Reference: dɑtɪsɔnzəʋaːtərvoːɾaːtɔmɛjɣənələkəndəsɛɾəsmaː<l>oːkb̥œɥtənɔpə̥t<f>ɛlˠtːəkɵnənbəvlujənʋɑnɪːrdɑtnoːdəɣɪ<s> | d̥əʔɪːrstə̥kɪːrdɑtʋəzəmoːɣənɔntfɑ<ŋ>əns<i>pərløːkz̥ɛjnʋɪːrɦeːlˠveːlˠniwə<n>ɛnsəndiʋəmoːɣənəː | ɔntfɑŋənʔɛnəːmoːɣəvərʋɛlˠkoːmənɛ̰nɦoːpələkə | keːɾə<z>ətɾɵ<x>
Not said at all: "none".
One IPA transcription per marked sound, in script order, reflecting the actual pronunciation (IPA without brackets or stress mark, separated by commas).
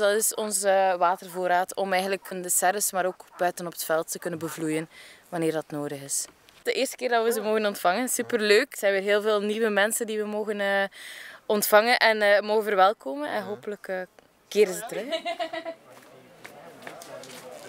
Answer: ɾ, f, s, ŋ, y, m, z, x